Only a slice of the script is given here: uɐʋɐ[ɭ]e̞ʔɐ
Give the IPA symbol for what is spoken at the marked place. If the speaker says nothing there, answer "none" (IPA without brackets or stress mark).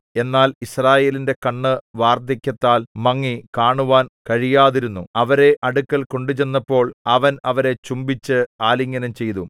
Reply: ɾ